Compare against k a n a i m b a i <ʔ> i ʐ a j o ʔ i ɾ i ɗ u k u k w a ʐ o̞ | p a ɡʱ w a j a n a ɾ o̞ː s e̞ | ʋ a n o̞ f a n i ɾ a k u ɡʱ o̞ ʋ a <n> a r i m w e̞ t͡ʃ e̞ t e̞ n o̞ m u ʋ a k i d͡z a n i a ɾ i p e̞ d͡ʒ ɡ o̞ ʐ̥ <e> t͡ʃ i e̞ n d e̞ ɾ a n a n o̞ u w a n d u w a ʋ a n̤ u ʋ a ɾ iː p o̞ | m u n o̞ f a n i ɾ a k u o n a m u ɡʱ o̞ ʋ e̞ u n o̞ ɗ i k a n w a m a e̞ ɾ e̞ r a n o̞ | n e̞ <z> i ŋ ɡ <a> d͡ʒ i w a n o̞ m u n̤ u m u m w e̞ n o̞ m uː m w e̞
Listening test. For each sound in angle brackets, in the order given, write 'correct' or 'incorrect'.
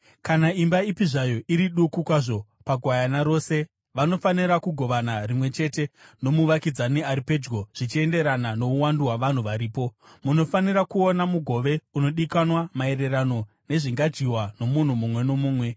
incorrect, correct, incorrect, incorrect, correct

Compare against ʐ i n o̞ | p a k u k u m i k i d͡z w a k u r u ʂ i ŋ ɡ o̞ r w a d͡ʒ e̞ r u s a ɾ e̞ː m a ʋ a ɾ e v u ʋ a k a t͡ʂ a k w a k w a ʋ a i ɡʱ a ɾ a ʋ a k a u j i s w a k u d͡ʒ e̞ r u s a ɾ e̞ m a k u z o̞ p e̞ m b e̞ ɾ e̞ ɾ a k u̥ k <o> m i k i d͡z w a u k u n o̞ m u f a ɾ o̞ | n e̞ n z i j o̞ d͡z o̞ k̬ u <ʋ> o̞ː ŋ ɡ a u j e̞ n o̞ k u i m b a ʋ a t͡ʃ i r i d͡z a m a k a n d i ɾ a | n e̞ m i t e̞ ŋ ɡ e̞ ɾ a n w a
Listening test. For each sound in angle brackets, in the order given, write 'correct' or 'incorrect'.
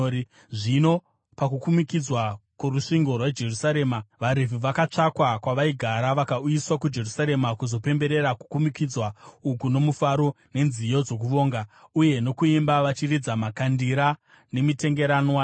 incorrect, correct

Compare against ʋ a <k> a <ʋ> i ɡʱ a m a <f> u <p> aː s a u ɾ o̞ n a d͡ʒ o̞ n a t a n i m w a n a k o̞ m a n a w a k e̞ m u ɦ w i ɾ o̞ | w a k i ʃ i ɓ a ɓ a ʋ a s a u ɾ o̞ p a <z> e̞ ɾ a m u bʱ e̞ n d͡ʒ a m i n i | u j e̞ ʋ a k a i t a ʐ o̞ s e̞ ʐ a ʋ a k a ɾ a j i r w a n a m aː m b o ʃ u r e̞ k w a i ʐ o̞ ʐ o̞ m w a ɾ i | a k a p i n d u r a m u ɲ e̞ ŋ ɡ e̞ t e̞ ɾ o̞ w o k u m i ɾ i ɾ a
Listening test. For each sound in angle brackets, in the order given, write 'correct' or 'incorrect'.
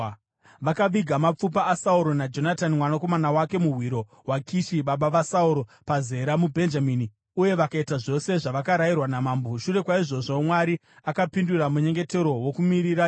correct, correct, incorrect, correct, correct

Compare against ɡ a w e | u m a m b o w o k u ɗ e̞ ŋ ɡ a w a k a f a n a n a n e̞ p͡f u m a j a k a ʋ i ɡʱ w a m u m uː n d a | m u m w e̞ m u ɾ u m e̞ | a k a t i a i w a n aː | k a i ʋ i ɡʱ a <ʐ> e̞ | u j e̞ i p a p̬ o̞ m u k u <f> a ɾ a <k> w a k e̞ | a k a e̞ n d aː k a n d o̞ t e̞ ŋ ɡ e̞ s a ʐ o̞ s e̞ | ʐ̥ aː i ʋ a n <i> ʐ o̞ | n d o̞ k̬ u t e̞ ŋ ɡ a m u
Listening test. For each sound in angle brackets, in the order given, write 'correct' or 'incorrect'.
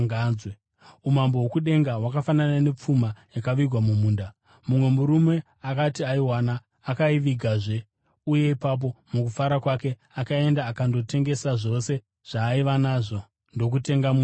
correct, correct, correct, incorrect

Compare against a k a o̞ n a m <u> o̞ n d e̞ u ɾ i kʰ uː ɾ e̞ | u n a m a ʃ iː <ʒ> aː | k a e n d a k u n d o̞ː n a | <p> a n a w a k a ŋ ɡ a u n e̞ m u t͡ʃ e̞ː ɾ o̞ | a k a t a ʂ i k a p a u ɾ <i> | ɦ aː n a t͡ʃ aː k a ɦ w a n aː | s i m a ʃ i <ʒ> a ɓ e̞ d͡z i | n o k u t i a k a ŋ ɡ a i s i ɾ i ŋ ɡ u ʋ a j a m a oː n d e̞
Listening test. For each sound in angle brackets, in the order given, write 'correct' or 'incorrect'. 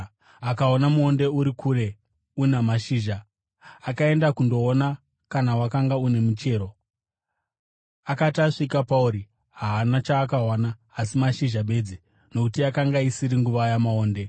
correct, correct, incorrect, correct, correct

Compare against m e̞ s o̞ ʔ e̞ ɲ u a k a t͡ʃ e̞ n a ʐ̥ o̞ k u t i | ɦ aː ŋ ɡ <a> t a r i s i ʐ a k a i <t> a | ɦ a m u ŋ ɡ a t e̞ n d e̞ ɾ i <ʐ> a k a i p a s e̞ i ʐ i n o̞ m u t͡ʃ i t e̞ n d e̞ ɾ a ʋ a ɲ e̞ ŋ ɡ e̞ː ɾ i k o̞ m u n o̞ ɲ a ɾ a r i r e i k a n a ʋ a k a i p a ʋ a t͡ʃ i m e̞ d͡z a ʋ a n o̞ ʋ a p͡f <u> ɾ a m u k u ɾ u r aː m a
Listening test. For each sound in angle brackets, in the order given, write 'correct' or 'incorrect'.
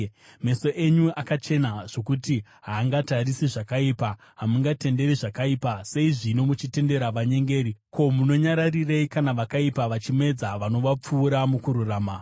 correct, incorrect, correct, incorrect

